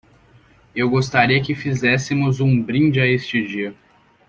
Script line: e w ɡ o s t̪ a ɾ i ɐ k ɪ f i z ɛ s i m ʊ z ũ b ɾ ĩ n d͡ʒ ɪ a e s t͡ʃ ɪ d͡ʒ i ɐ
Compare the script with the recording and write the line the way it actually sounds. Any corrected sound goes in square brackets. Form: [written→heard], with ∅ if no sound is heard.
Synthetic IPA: e w ɡ o s t̪ a ɾ i ɐ k ɪ f i z ɛ s [i→ɪ] m ʊ z ũ b ɾ ĩ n d͡ʒ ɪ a e s t͡ʃ ɪ d͡ʒ i ɐ